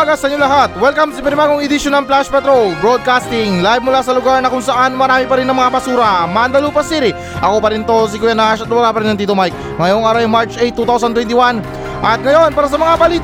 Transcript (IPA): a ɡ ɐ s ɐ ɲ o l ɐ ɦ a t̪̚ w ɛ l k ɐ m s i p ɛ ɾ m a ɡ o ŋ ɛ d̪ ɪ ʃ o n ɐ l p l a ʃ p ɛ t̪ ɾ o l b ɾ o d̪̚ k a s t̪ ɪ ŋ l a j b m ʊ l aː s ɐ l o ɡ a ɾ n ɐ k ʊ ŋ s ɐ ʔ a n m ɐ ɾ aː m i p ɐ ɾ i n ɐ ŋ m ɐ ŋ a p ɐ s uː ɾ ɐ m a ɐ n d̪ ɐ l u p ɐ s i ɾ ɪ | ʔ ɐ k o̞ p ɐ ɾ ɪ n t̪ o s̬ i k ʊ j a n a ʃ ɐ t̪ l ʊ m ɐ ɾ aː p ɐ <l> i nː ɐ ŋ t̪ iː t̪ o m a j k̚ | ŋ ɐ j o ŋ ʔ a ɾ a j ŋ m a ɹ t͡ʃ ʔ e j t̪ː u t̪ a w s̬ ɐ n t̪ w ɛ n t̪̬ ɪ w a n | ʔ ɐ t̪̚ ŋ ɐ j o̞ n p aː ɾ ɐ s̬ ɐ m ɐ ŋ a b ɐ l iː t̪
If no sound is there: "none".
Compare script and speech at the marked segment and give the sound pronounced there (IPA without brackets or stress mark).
ɾ